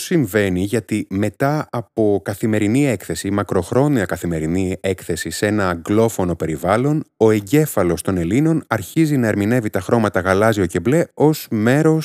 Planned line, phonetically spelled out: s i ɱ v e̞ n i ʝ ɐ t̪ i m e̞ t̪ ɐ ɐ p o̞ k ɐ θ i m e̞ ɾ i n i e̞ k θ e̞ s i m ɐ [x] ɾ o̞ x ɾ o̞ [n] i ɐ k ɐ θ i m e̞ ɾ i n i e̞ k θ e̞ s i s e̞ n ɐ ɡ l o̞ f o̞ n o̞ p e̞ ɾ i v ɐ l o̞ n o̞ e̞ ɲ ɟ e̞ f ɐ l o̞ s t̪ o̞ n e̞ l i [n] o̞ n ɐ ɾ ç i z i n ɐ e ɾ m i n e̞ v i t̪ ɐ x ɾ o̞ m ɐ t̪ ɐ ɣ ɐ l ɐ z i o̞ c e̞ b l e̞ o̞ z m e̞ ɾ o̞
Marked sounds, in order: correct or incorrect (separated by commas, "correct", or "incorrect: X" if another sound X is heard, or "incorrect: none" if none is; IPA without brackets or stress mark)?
incorrect: k, correct, correct